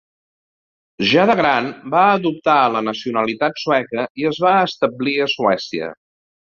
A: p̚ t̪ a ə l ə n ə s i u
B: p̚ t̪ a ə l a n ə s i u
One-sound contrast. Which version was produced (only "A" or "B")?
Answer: A